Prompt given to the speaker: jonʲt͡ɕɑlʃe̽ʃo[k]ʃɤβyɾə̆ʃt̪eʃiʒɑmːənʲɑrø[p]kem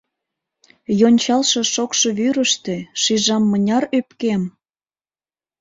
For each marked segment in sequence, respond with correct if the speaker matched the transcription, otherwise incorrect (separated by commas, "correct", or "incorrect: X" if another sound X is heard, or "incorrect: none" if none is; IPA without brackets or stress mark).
correct, correct